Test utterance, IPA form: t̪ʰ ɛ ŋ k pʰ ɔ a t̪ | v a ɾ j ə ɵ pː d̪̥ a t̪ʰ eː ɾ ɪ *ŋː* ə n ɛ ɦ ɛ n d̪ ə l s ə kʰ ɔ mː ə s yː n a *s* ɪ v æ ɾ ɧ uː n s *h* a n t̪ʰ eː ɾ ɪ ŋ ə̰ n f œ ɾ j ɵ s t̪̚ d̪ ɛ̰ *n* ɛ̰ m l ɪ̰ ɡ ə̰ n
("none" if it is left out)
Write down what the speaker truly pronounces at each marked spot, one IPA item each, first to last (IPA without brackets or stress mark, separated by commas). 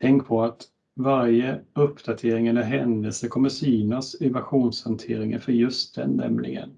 ŋ, s, h, nː